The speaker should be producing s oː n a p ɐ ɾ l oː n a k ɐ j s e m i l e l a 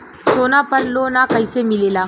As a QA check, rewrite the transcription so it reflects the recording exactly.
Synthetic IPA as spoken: s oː n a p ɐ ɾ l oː n a k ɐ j s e m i l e l a